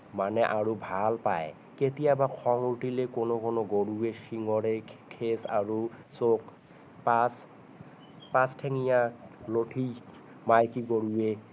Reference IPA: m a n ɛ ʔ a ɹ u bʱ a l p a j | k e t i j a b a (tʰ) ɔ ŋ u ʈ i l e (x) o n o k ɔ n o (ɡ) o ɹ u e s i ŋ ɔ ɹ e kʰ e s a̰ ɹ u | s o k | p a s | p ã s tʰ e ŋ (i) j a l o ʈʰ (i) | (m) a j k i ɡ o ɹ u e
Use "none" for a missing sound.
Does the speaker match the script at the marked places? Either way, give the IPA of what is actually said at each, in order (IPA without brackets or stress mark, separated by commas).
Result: kʰ, k, ɡ, i, i, m